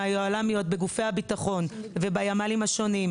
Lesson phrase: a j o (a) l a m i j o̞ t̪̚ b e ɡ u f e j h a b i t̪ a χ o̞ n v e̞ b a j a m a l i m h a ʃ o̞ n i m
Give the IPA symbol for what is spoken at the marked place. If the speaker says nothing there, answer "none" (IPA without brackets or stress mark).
a